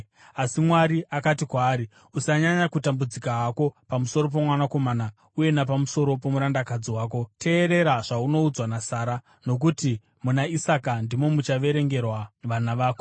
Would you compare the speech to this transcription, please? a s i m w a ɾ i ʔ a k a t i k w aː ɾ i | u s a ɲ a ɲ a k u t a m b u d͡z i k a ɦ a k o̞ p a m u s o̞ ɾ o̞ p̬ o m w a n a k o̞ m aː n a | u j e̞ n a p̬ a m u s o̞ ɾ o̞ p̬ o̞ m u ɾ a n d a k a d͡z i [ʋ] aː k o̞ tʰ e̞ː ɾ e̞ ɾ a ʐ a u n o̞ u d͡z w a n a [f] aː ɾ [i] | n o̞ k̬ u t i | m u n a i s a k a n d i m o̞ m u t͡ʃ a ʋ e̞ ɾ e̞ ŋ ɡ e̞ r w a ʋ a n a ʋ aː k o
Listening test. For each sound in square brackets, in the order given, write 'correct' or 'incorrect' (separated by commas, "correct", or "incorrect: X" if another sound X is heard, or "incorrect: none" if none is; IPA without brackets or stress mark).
incorrect: w, incorrect: s, incorrect: a